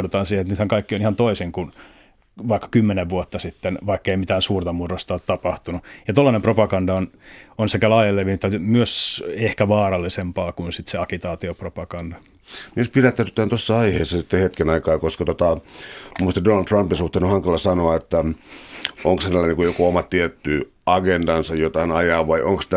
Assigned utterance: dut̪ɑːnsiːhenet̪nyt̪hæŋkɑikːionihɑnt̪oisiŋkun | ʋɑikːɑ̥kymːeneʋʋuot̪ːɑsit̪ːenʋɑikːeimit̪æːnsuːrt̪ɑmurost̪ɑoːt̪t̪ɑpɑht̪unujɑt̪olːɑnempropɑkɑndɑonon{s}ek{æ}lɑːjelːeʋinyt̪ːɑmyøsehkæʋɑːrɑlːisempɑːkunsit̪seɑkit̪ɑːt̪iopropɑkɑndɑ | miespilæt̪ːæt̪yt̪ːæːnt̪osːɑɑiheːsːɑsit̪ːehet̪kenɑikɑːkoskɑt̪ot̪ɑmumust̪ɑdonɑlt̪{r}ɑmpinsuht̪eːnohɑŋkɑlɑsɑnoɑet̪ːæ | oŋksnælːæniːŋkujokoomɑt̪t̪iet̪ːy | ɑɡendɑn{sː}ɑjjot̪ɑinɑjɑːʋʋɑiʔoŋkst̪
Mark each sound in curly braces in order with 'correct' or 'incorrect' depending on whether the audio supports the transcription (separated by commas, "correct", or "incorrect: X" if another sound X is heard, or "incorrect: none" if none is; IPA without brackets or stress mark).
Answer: correct, correct, correct, incorrect: s